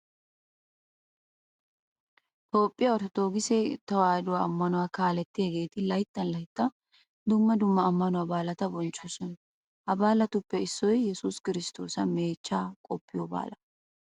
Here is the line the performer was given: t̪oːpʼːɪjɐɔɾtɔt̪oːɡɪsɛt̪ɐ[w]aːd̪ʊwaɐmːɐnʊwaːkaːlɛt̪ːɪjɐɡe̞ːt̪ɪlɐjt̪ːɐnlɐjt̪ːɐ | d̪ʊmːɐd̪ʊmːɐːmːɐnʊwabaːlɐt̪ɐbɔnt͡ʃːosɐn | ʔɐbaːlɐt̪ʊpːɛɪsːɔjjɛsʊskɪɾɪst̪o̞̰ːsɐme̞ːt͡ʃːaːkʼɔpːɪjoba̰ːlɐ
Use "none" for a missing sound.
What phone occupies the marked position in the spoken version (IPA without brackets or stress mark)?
w